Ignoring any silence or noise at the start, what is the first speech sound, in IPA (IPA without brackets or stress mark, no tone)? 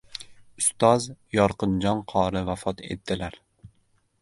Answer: ʊ